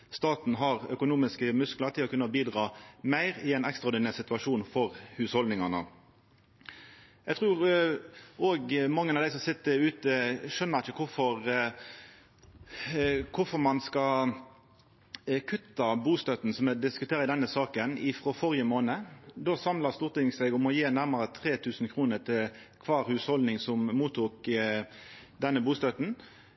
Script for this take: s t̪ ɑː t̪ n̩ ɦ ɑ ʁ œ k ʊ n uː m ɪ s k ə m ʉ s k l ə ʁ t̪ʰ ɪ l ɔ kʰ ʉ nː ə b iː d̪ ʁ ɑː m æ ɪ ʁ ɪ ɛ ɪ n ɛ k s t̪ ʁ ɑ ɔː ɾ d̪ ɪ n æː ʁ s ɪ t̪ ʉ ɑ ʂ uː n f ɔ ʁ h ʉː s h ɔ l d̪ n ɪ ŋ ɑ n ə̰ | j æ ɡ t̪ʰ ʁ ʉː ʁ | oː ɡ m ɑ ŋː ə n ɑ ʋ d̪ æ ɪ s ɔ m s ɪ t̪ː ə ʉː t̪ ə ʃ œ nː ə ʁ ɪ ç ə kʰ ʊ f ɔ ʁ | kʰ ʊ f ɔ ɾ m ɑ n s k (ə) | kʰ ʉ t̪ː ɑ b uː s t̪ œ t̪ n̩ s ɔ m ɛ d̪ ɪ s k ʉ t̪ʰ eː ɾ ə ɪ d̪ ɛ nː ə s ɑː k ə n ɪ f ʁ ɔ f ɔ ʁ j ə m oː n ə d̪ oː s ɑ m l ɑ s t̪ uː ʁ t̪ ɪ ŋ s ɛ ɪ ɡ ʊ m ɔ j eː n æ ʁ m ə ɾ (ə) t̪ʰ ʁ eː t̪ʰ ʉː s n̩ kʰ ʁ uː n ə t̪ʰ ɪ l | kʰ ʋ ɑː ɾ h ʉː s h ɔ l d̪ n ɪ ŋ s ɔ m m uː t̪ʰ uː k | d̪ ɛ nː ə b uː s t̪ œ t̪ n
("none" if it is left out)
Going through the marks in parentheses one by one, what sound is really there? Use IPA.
ɑ, ə

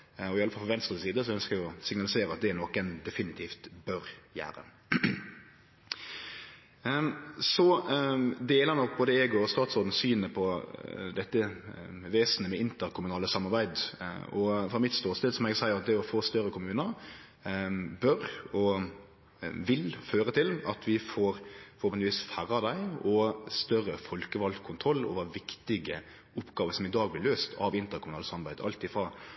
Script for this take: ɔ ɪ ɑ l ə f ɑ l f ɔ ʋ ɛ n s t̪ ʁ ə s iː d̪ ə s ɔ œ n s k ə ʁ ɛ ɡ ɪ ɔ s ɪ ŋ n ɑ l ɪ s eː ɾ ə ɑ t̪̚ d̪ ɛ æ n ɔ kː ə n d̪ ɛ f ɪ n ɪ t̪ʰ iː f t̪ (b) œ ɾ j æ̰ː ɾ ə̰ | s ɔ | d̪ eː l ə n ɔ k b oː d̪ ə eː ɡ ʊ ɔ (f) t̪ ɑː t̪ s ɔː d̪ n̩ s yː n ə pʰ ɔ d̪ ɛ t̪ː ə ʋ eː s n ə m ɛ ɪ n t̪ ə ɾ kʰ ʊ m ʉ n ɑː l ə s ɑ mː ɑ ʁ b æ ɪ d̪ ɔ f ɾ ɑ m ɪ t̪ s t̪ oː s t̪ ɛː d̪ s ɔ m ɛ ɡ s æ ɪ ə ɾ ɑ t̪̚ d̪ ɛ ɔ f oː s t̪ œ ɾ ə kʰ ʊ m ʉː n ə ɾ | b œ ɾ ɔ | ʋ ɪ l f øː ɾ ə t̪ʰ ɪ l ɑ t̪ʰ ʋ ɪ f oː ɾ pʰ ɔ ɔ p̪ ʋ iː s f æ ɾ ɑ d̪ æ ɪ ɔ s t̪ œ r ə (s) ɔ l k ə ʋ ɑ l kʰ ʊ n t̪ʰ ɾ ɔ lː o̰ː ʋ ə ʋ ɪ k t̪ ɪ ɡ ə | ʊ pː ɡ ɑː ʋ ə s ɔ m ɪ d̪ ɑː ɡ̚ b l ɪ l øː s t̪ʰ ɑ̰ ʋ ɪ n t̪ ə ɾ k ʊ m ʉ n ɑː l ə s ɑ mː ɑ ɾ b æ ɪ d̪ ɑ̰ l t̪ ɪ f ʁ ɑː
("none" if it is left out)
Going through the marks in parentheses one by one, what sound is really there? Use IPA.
b, s, f

